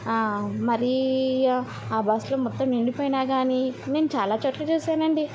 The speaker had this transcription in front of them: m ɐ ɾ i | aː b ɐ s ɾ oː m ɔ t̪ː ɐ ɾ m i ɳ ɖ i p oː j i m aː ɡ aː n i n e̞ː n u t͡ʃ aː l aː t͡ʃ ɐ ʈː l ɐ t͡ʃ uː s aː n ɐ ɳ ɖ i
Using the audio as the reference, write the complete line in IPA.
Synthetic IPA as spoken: m ɐ ɾ i | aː b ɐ s l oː m ɔ t̪ː ɐ m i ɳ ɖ i p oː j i n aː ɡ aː n i n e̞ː n u t͡ʃ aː l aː t͡ʃ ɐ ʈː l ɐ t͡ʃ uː s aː n ɐ ɳ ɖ i